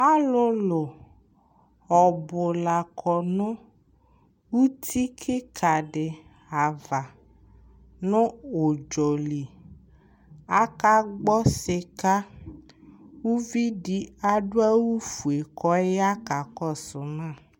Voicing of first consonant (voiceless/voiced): voiced